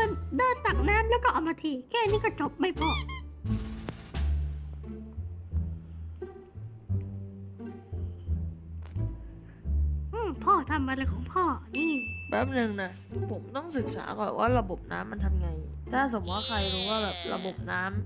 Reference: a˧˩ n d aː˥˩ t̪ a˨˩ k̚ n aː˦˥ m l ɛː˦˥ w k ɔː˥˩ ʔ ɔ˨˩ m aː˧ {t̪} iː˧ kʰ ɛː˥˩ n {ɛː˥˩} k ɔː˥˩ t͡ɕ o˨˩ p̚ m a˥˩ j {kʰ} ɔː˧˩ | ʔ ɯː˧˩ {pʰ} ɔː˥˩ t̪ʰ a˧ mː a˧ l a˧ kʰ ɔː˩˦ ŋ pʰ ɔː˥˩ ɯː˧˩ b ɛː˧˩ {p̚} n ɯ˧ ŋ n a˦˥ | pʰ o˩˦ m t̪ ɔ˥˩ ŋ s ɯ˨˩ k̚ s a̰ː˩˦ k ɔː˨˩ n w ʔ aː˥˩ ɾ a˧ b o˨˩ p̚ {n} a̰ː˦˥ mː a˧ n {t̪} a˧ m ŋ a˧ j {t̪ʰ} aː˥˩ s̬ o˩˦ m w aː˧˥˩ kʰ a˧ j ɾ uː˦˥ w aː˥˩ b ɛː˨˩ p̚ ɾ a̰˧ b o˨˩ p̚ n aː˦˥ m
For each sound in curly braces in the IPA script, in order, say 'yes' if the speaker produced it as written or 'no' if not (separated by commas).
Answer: no, no, no, yes, yes, yes, no, yes